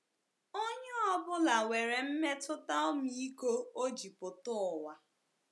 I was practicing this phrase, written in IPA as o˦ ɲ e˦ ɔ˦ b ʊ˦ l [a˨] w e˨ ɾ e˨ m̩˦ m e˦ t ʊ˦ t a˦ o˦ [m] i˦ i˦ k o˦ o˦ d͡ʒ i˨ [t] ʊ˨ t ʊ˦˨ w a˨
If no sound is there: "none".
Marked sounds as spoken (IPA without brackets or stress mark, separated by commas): a˨, m, p